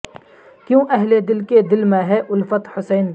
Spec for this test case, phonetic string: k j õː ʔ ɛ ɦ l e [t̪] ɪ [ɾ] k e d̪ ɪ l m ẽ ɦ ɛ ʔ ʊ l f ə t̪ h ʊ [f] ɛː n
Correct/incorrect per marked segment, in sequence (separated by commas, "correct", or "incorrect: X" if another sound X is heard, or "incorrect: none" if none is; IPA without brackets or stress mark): incorrect: d̪, incorrect: l, incorrect: s